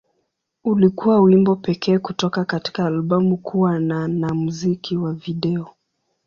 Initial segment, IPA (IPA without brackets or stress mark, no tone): u